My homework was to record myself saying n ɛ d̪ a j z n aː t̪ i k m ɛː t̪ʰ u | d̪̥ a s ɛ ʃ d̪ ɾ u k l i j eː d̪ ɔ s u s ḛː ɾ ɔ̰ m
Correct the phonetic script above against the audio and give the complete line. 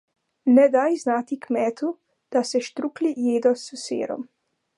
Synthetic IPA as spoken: n ɛ d̪ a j z n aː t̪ i k m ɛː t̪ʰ u | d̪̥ a s ɛ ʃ t̪ ɾ u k l i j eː d̪ ɔ s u s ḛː ɾ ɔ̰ m